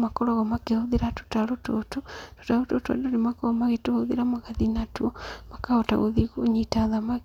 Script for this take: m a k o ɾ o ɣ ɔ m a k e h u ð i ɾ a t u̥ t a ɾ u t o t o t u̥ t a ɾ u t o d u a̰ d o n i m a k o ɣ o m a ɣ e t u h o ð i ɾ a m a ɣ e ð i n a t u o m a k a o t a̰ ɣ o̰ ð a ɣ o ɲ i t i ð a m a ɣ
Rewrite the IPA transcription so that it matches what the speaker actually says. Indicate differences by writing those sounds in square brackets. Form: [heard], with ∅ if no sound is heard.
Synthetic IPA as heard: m a k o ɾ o ɣ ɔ m a k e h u ð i ɾ a t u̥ t a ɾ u t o t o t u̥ t a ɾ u t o [t] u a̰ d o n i m a k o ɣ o m a ɣ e t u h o ð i ɾ a m a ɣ [a] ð i n a t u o m a k a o t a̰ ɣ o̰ ð [i] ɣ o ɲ i t [a] ð a m a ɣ

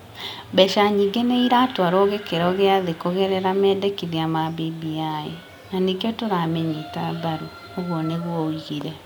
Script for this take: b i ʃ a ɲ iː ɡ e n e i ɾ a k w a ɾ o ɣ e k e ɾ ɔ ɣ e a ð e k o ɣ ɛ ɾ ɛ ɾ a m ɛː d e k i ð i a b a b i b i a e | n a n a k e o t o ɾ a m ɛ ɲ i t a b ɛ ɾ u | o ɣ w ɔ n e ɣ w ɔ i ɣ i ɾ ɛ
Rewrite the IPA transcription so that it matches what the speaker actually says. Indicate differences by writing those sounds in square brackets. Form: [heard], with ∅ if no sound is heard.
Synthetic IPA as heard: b [ɛ] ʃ a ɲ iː ɡ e n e i ɾ a [t] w a ɾ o ɣ e k e ɾ ɔ ɣ e a ð e k o ɣ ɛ ɾ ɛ ɾ a m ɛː d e k i ð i a [m] a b i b i a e | n a n [i] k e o t o ɾ a m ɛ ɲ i t a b [a] ɾ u | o ɣ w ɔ n e ɣ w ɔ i ɣ i ɾ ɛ

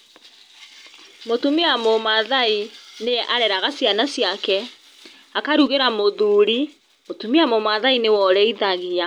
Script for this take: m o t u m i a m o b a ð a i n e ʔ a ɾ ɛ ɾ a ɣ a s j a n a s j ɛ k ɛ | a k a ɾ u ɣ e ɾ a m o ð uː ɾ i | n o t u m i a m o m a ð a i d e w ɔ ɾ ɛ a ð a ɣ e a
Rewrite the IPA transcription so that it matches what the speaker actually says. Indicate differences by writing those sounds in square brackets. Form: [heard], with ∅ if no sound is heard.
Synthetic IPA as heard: m o t u m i a m o [m] a ð a i n e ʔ a ɾ ɛ ɾ a ɣ a s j a n a s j [a] k ɛ | a k a ɾ u ɣ e ɾ a m o ð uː ɾ i | [m] o t u m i a m o m a ð a i [n] e w ɔ ɾ ɛ [i] ð a ɣ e a

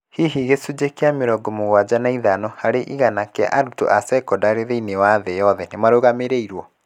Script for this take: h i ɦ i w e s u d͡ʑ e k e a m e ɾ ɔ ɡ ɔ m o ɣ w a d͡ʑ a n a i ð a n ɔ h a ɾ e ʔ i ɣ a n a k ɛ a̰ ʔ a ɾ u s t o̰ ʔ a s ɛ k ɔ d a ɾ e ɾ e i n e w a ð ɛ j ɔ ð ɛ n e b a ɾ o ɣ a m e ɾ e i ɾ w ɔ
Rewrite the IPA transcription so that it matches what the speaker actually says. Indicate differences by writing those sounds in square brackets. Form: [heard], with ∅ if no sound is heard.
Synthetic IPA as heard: h i ɦ i [ɣ] e s u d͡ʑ e k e a m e ɾ ɔ ɡ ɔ m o ɣ w a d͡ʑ a n a i ð a n ɔ h a ɾ e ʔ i ɣ a n a k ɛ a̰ ʔ a ɾ u [∅] t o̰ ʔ a s ɛ k ɔ d a ɾ e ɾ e i n e w a ð ɛ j ɔ ð ɛ n e [m] a ɾ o ɣ a m e ɾ e i ɾ w ɔ

